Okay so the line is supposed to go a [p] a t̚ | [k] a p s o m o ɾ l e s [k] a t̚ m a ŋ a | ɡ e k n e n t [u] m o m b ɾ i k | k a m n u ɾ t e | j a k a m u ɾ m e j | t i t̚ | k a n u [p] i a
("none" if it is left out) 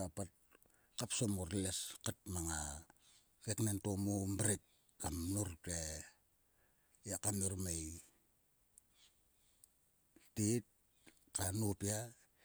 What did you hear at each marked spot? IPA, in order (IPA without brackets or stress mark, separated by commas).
p, k, k, o, p